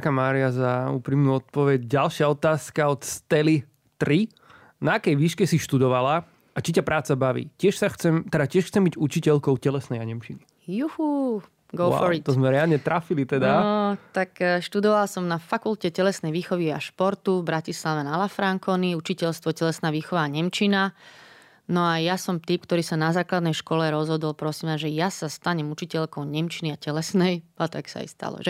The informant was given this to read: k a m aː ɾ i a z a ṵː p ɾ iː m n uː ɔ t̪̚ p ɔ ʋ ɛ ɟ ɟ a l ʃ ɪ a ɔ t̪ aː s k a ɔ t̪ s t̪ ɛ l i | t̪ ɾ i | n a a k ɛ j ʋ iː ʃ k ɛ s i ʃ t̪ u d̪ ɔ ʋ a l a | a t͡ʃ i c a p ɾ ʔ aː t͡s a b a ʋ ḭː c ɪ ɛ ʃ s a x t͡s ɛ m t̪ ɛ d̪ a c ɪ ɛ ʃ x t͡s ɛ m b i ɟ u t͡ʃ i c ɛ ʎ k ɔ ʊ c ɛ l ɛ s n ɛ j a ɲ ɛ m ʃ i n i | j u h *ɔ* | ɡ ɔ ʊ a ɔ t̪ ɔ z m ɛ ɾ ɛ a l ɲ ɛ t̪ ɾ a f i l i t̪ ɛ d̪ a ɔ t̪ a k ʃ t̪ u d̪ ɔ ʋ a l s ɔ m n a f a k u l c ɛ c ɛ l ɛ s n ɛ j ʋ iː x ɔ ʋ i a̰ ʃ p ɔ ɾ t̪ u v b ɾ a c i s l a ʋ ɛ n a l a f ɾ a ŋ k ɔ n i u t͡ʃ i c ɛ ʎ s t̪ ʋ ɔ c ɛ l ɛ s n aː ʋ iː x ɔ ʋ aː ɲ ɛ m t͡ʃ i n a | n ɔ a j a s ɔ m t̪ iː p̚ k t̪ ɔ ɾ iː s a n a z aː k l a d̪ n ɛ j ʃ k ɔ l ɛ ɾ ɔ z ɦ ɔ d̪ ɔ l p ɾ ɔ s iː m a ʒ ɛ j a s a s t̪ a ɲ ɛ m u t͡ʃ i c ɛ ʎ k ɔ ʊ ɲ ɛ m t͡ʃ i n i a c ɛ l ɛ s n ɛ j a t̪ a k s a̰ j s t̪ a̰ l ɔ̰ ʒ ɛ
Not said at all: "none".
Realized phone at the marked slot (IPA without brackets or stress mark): u